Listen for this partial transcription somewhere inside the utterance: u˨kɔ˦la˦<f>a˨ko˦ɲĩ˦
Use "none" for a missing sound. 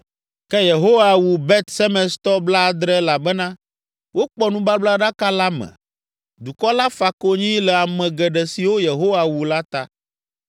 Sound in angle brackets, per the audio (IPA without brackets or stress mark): f